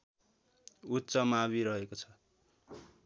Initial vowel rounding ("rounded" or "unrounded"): rounded